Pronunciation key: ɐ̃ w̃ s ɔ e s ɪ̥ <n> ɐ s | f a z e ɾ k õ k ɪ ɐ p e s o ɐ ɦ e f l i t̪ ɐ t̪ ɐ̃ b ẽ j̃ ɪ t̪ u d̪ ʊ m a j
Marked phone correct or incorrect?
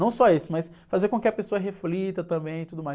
incorrect: m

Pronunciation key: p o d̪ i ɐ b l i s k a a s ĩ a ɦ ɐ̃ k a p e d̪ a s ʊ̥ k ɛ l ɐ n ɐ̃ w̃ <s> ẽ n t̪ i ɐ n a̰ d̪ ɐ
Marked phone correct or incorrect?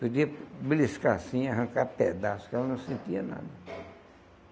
correct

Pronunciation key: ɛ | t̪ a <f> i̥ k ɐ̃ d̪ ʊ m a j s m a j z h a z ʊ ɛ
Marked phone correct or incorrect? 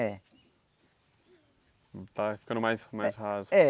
correct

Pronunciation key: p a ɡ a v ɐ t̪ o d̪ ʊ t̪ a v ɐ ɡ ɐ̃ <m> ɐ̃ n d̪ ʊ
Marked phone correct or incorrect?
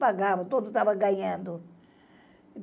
incorrect: ɲ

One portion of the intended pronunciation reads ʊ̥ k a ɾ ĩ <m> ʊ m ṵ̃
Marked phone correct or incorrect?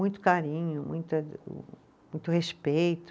incorrect: ɲ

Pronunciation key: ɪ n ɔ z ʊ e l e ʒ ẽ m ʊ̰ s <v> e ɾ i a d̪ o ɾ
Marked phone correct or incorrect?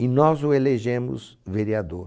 correct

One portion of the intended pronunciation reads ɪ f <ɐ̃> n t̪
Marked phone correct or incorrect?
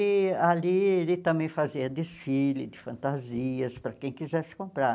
correct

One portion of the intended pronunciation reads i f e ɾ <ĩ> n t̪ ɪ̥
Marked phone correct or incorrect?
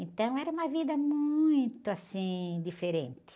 incorrect: ẽ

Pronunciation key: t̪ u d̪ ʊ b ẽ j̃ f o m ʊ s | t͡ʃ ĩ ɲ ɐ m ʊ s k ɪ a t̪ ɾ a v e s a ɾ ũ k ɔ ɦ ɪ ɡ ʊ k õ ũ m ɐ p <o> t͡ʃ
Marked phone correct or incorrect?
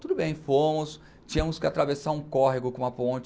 incorrect: õ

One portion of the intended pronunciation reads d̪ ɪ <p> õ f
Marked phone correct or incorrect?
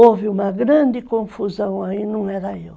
incorrect: k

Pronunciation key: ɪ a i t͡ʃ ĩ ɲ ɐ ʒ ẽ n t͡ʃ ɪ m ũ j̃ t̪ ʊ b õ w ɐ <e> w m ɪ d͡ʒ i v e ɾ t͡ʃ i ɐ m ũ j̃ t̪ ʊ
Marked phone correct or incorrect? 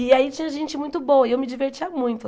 correct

